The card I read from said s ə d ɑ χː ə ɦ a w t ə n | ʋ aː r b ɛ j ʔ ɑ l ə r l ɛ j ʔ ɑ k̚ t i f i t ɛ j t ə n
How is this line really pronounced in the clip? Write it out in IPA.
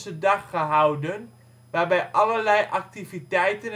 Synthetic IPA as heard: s ə d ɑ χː ə ɦ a w d ə n | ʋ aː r b ɛ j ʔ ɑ l ə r l ɛ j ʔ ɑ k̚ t i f i t ɛ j t ə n